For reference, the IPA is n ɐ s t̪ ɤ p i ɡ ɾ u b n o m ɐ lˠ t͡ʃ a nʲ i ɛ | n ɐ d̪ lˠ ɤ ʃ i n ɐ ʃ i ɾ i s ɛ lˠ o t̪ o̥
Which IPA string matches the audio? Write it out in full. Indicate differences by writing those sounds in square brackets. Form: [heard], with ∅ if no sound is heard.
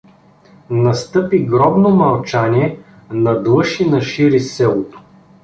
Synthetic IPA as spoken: n ɐ s t̪ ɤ p i ɡ ɾ [ɔ] b n o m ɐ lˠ t͡ʃ a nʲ i ɛ | n ɐ d̪ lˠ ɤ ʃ i n ɐ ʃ i ɾ i s ɛ lˠ o t̪ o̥